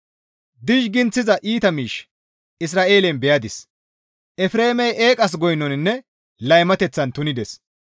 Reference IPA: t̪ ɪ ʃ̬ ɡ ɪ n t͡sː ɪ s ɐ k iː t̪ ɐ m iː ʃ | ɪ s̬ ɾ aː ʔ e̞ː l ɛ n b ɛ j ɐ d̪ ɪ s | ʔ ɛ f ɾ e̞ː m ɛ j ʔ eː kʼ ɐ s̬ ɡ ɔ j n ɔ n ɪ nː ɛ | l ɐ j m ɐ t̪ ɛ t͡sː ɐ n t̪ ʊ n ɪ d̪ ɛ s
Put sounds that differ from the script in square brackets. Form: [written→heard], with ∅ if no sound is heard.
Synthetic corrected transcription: [t̪→d̪] ɪ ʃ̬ ɡ ɪ n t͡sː ɪ [s→z] ɐ [k→ʔ] iː t̪ ɐ m iː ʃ | ɪ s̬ ɾ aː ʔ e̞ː l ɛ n b ɛ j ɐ d̪ ɪ s | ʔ ɛ f ɾ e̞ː m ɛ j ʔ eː kʼ ɐ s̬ ɡ ɔ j n ɔ n ɪ nː ɛ | l ɐ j m ɐ t̪ ɛ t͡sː ɐ n t̪ ʊ n ɪ d̪ ɛ s